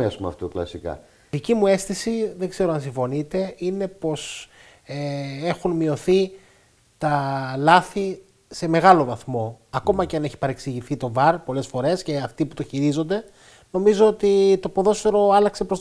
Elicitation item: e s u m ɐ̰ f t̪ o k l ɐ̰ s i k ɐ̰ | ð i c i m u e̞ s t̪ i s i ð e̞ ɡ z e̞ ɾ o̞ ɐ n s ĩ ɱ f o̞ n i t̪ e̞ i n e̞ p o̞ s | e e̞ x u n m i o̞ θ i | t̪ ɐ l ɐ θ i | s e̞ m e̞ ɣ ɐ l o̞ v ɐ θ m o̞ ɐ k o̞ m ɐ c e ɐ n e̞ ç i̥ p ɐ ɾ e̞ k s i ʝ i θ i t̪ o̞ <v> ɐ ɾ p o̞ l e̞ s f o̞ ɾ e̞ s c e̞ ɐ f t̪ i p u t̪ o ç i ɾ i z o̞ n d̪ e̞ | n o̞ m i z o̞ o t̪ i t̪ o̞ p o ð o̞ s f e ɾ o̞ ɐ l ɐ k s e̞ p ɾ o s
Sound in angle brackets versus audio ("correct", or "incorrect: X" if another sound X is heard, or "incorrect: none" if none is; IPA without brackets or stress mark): correct